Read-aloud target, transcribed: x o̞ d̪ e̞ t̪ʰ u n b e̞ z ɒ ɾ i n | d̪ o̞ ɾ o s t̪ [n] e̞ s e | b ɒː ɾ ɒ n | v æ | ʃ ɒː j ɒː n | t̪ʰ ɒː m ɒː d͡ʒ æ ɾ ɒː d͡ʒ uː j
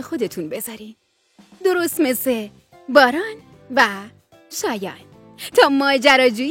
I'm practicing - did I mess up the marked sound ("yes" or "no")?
yes